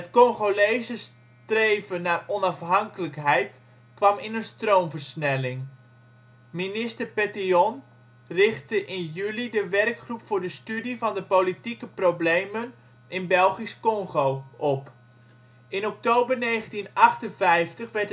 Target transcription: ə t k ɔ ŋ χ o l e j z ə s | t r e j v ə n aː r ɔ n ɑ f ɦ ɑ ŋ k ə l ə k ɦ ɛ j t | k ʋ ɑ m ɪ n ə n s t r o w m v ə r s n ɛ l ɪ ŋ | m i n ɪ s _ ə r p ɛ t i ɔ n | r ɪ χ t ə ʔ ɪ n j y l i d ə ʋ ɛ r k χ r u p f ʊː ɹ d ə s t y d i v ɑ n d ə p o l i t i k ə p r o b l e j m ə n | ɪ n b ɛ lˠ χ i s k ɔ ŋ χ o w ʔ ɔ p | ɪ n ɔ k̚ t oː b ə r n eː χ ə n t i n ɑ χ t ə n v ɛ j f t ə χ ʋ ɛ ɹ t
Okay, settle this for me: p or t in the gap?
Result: t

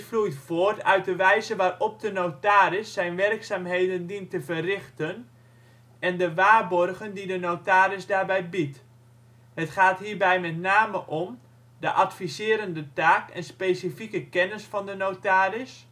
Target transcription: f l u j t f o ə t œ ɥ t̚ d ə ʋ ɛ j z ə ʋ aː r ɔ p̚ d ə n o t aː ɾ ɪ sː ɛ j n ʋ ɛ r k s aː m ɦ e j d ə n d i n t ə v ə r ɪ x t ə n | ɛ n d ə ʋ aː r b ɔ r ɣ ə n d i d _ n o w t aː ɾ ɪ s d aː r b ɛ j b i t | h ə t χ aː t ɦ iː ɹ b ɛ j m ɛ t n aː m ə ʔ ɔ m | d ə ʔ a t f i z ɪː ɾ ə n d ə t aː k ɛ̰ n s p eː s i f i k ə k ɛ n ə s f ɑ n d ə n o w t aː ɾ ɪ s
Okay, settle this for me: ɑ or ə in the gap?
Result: ə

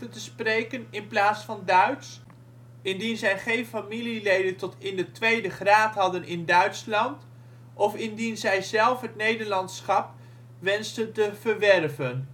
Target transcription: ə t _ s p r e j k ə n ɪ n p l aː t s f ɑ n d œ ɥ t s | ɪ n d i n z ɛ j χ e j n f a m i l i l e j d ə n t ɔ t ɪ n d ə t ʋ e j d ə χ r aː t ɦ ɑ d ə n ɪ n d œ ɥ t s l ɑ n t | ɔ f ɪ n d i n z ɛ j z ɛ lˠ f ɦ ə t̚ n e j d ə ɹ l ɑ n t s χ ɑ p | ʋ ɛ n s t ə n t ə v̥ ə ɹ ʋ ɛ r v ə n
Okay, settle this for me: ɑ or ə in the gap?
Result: ə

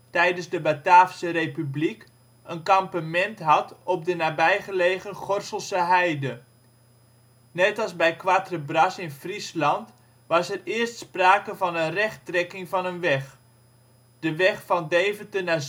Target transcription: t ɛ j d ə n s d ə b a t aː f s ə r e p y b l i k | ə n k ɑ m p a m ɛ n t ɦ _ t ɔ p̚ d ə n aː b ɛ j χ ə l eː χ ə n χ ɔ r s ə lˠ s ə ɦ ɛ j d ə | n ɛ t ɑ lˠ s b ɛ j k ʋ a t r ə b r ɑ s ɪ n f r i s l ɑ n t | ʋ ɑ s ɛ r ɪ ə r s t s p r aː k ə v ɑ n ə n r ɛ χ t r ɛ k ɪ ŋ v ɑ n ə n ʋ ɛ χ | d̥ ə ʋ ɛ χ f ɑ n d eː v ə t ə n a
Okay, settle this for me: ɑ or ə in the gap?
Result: ɑ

